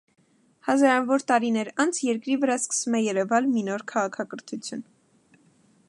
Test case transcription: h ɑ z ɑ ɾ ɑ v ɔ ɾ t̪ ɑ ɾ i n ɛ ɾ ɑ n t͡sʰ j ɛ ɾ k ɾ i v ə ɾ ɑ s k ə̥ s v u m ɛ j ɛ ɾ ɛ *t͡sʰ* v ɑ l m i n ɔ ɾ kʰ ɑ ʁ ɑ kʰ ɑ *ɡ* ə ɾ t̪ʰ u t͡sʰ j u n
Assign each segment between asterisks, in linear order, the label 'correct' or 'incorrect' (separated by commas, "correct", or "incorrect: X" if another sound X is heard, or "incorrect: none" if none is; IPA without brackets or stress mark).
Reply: incorrect: none, incorrect: k